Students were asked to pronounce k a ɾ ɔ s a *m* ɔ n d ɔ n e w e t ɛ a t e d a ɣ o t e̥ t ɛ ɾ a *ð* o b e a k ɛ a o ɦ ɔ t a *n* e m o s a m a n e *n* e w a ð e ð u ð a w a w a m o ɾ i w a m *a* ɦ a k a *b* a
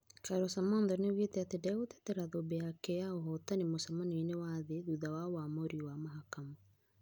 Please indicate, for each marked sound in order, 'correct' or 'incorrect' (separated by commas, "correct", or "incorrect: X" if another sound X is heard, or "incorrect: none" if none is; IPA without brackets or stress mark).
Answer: correct, correct, correct, correct, correct, incorrect: m